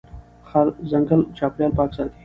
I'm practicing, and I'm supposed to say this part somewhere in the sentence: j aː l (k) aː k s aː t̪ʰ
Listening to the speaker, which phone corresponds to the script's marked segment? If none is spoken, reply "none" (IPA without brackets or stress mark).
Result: p